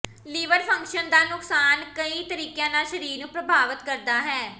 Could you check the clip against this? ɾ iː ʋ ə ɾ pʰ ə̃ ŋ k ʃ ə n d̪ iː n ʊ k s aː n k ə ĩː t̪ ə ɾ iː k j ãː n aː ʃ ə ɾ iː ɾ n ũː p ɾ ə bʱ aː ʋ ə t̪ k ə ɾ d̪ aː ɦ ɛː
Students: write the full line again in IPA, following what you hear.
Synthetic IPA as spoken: l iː ʋ ə ɾ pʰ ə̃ ŋ k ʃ ə n d̪ aː n ʊ k s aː n k ə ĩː t̪ ə ɾ iː k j ãː n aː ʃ ə ɾ iː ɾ n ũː p ɾ ə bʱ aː ʋ ə t̪ k ə ɾ d̪ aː ɦ ɛː